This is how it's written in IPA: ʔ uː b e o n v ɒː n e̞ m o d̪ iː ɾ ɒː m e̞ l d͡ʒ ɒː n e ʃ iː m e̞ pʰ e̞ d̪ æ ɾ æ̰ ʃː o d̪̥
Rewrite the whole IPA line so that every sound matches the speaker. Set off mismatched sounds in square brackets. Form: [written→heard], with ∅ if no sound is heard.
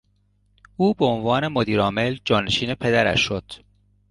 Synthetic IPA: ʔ uː b e o n v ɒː n e̞ m o d̪ iː ɾ ɒː m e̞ l d͡ʒ ɒː n e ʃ iː [m→n] e̞ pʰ e̞ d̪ æ ɾ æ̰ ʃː o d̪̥